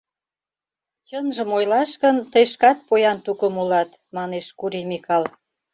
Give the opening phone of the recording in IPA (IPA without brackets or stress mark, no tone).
t͡ɕ